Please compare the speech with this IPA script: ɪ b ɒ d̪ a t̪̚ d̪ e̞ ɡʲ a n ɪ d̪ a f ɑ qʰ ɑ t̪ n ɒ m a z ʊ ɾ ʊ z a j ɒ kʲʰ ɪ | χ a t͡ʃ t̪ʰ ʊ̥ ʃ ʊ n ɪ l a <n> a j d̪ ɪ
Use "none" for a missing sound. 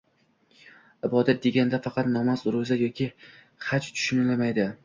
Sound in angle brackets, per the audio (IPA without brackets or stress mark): m